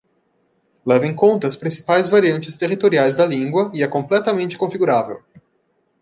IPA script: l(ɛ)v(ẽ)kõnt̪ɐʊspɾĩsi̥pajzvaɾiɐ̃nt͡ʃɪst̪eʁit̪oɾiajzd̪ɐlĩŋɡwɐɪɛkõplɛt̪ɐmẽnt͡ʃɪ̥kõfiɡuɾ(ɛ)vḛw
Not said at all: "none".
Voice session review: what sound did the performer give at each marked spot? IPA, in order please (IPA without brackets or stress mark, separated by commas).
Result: ɛ, ẽ, a